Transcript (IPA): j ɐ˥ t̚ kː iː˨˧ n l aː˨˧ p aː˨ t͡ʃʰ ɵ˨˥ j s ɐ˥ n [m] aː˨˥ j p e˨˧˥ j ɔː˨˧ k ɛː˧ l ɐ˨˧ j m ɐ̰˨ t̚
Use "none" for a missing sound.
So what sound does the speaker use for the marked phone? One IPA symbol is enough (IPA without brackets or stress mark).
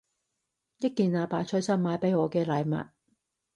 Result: m